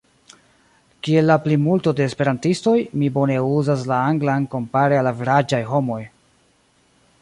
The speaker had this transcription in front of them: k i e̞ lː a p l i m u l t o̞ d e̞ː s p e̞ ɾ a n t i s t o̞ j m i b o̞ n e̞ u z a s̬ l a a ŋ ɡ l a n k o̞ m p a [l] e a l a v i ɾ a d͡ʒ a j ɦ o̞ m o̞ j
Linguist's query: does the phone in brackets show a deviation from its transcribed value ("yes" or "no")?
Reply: yes